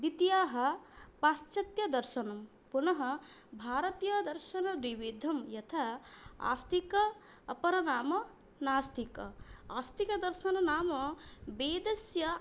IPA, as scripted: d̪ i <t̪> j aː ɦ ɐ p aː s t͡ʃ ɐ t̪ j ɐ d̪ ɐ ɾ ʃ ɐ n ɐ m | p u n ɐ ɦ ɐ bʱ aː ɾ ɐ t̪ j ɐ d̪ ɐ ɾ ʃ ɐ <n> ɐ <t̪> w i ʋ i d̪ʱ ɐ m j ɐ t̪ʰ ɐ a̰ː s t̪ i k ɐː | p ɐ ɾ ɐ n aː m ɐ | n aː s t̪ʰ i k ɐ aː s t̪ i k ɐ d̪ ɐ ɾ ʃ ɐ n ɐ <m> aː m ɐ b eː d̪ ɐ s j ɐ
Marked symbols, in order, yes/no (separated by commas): yes, yes, no, no